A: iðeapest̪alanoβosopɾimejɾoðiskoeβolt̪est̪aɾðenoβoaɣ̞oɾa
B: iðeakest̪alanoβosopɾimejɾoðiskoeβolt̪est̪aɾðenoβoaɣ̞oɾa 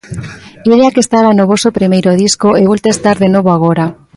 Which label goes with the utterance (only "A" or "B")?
B